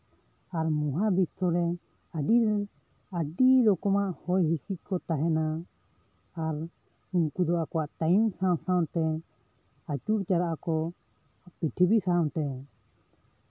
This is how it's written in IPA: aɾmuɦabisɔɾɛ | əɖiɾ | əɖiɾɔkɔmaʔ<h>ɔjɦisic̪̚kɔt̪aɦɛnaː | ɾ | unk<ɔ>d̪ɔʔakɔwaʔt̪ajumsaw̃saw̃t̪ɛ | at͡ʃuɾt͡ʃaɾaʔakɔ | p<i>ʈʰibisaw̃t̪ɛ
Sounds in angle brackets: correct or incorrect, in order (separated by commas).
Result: correct, incorrect, correct